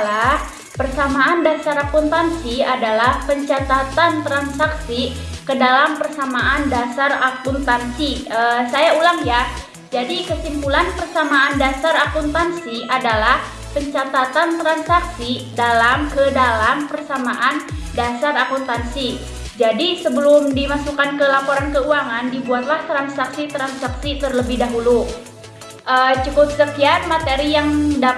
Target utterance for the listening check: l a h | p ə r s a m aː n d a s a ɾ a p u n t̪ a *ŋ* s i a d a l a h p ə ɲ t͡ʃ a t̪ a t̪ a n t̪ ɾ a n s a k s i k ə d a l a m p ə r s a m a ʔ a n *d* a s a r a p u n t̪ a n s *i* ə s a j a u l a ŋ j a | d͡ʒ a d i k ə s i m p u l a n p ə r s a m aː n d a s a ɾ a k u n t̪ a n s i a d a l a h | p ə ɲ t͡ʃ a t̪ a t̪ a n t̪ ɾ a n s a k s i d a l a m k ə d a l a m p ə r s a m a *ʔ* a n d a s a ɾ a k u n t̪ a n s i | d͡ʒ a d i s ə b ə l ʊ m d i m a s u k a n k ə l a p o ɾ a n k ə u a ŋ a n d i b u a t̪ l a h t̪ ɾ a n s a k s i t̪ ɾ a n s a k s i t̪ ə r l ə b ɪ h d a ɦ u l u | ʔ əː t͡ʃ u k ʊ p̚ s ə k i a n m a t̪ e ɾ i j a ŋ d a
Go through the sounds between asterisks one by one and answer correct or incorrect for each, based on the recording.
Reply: incorrect: n, correct, correct, correct

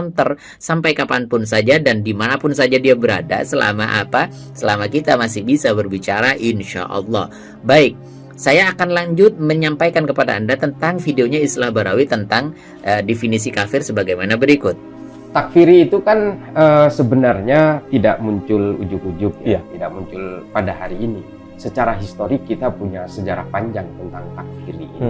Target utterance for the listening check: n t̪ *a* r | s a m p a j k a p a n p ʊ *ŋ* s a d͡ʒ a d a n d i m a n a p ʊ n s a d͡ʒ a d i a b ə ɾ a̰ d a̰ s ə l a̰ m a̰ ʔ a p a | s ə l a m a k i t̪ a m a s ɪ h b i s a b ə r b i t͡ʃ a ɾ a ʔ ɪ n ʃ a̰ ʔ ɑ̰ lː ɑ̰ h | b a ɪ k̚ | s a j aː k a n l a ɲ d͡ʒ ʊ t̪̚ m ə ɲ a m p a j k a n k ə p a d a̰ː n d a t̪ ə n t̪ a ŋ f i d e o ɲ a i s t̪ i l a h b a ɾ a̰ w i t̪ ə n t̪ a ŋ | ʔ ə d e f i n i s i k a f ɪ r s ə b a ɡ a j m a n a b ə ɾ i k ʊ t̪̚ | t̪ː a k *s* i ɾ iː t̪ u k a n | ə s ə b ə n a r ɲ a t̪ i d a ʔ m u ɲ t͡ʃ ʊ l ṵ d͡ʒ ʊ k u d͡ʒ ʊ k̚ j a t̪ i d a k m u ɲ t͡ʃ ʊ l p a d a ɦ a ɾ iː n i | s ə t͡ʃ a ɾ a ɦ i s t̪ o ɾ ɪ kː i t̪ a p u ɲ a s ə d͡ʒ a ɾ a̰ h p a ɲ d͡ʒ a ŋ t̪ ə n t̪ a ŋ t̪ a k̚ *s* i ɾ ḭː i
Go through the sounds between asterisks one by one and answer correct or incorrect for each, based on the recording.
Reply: incorrect: ə, incorrect: n, incorrect: f, incorrect: f

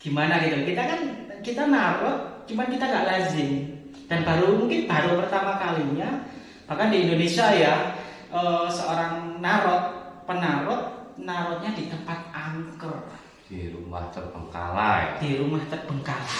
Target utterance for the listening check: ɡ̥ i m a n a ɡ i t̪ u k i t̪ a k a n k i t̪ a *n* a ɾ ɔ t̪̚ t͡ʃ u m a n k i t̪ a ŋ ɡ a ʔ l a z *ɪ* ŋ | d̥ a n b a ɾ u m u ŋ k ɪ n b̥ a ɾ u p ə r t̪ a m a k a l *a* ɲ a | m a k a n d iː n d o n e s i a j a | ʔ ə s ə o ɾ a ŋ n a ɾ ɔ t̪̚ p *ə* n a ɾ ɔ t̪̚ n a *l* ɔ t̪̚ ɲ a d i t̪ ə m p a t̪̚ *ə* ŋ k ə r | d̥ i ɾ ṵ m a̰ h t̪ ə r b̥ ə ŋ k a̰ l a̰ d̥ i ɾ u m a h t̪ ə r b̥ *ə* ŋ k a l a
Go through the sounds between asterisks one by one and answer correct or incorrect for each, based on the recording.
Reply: correct, correct, incorrect: i, correct, incorrect: ɾ, incorrect: a, correct

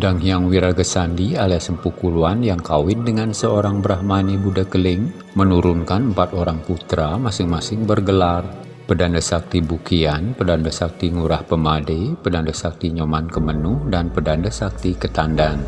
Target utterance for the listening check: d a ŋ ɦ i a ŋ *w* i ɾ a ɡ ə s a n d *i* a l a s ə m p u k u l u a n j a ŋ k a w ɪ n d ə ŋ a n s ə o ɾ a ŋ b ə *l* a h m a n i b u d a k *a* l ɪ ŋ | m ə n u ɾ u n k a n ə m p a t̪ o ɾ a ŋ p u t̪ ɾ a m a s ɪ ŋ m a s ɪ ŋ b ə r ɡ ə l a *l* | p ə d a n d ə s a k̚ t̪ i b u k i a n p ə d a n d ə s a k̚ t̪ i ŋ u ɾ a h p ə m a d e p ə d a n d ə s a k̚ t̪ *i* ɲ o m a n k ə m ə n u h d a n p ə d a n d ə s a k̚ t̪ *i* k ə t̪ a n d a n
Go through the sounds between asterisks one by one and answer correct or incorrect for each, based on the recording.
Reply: correct, correct, incorrect: ɾ, incorrect: ə, incorrect: r, correct, correct

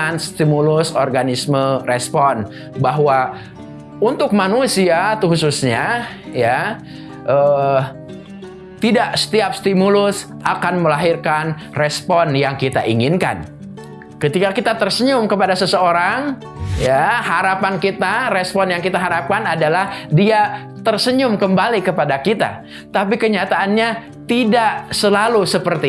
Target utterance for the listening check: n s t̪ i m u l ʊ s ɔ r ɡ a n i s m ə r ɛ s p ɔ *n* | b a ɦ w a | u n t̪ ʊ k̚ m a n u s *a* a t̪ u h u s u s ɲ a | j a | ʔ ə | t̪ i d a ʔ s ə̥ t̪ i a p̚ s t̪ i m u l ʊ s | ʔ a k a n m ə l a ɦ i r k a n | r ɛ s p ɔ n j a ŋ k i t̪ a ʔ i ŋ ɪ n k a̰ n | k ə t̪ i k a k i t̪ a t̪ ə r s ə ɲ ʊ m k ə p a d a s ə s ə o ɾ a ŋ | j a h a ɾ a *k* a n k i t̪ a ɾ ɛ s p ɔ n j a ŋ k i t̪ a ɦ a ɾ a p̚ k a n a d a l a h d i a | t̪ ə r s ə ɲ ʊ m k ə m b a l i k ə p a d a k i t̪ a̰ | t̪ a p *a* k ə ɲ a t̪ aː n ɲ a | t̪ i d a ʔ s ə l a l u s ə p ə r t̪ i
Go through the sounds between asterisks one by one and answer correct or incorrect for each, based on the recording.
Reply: correct, incorrect: i, incorrect: p, incorrect: i

